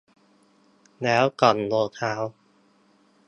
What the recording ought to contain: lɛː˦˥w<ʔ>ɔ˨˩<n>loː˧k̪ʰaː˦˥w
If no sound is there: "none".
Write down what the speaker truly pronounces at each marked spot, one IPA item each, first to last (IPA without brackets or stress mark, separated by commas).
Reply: k, n